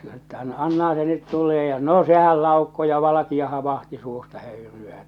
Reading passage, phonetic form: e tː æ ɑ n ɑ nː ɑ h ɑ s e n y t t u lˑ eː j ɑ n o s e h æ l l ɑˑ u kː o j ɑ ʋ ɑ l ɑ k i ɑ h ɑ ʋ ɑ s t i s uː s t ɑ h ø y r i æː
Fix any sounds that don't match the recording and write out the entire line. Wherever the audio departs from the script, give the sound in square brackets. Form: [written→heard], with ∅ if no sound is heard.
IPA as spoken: e tː æ ɑ n ɑ nː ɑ h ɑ s e n y t t u lˑ eː j ɑ n o s e h æ l l ɑˑ u kː o j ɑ ʋ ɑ l ɑ k i ɑ h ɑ ʋ ɑ [s→h] t i s uː s t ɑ h ø y r [i→y] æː